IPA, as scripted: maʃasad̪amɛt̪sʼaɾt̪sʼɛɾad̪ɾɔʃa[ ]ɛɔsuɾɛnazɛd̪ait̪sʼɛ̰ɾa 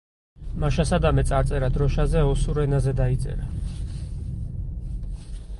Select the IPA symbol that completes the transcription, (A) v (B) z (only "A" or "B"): B